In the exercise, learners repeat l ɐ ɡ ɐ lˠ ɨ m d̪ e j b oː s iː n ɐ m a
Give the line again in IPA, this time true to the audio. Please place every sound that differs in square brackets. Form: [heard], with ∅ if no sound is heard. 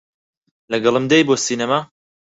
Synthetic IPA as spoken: l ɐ ɡ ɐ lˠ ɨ m d̪ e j b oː s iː n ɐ m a